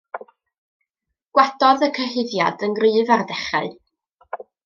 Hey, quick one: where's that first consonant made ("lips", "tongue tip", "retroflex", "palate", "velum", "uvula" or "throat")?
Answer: velum